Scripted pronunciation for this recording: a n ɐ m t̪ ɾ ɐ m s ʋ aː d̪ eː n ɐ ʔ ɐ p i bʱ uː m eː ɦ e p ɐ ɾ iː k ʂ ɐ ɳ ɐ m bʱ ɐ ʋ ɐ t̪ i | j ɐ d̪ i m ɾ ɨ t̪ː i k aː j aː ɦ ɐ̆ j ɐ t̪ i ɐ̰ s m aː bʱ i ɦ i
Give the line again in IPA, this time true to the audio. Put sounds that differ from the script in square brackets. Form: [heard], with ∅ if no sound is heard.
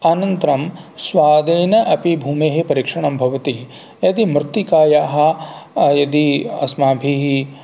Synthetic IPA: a n ɐ [n] t̪ ɾ ɐ m s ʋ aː d̪ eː n ɐ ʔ ɐ p i bʱ uː m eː ɦ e p ɐ ɾ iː k ʂ ɐ ɳ ɐ m bʱ ɐ ʋ ɐ t̪ i | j ɐ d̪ i m ɾ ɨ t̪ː i k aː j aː ɦ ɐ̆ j ɐ [d̪] i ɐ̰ s m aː bʱ i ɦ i

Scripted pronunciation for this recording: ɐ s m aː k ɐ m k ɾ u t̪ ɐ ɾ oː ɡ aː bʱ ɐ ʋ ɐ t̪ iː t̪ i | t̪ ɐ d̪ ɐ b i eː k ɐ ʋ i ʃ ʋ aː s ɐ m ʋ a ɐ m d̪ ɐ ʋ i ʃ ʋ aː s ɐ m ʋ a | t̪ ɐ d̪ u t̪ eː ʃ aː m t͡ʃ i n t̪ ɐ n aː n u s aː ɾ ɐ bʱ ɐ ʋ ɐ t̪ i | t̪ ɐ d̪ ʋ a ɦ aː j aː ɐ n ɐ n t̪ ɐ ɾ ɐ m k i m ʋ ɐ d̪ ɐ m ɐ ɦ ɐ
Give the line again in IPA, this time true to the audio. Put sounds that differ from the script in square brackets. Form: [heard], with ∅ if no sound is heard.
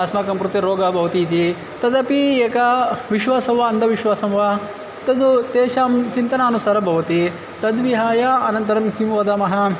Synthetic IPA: ɐ s m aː k ɐ m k ɾ u t̪ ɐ ɾ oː ɡ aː bʱ ɐ ʋ ɐ t̪ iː t̪ i | t̪ ɐ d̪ ɐ [p] i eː k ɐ ʋ i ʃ ʋ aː s ɐ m ʋ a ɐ [n] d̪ ɐ ʋ i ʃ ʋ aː s ɐ m ʋ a | t̪ ɐ d̪ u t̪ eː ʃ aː m t͡ʃ i n t̪ ɐ n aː n u s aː ɾ ɐ bʱ ɐ ʋ ɐ t̪ i | t̪ ɐ d̪ ʋ [i] ɦ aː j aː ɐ n ɐ n t̪ ɐ ɾ ɐ m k i m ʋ ɐ d̪ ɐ m ɐ ɦ ɐ

